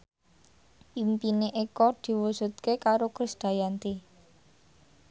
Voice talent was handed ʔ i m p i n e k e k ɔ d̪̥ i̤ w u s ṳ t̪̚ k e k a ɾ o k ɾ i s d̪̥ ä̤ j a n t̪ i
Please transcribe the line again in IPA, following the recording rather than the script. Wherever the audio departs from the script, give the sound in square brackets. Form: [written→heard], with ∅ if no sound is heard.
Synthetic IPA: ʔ i m p i n e [k→ʔ] e k ɔ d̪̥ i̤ w u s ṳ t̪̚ k e k a ɾ o k ɾ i s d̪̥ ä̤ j a n t̪ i